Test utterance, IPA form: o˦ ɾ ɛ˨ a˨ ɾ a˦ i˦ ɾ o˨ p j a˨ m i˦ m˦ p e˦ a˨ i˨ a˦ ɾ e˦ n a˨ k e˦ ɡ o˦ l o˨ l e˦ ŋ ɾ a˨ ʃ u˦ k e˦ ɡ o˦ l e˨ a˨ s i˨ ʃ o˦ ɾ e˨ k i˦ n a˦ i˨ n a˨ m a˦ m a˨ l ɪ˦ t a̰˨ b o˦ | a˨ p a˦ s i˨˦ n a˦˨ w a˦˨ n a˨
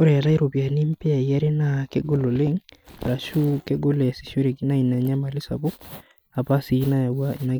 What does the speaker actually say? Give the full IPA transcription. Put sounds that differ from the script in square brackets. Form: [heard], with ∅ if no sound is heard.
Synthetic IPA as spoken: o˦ ɾ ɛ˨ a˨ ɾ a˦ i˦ ɾ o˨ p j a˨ [n] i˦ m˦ p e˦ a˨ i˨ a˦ ɾ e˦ n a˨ k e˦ ɡ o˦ l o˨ l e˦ ŋ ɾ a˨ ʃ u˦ k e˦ ɡ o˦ l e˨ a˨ s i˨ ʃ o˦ ɾ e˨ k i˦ n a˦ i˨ n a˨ [ɲ] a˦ m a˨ l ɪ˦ [s] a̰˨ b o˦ | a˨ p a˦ s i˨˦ n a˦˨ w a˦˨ n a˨